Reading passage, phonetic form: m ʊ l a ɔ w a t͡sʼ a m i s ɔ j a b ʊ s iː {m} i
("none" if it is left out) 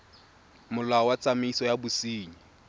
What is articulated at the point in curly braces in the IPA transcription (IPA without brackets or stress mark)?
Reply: ɲ